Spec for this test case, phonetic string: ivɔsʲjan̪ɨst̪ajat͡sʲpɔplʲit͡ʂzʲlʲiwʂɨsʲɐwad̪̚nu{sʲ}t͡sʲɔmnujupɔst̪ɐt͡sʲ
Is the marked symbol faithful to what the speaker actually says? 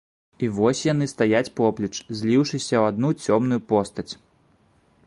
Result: no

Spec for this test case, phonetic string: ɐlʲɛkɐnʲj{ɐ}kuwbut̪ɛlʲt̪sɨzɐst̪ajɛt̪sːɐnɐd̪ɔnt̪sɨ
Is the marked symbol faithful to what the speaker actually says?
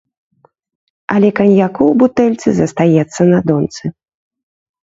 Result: no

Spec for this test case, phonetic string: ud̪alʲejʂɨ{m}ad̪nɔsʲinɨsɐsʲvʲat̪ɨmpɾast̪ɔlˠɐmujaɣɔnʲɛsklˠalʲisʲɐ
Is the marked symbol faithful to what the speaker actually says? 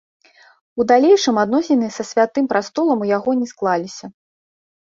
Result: yes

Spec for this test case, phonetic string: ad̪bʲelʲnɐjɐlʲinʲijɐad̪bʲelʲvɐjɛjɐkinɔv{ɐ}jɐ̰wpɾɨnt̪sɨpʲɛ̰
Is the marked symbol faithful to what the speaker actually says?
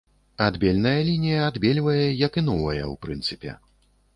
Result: yes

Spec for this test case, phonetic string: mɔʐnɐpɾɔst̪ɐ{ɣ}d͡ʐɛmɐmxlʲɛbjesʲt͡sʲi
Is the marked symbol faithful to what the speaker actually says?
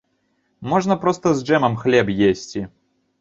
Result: no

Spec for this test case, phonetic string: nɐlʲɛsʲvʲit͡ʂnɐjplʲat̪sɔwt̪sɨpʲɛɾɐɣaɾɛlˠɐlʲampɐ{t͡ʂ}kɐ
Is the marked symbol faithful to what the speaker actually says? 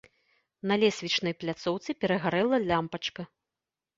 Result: yes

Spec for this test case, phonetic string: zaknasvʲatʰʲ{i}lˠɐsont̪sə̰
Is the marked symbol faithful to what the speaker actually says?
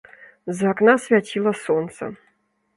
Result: yes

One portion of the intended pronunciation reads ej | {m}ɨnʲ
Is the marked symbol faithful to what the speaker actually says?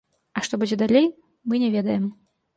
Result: yes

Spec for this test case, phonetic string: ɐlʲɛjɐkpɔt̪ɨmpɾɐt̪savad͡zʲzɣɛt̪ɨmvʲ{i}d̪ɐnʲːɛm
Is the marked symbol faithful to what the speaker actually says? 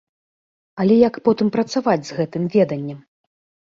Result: no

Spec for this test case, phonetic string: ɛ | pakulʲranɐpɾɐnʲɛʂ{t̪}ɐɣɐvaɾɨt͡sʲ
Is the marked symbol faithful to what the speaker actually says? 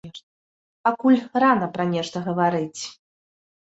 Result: yes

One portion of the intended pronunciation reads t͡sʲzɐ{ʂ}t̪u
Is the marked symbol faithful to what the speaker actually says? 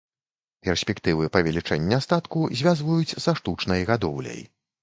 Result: yes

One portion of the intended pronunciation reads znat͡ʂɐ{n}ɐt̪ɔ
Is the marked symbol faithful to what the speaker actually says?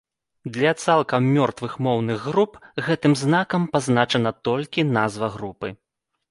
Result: yes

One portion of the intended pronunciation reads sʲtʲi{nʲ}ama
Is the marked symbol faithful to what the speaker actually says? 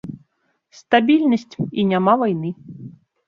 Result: yes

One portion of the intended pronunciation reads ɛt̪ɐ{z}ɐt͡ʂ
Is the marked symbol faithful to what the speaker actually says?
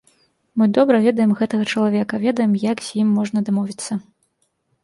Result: no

